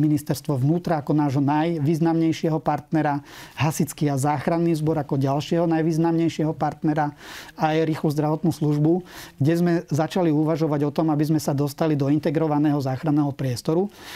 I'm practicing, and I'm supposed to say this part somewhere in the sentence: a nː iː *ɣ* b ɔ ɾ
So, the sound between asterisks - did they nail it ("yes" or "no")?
no